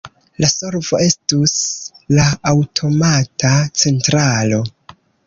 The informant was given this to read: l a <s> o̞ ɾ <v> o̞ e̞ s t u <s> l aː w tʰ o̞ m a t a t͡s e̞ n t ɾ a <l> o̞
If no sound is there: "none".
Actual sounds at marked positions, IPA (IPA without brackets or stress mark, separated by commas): s, v, s, l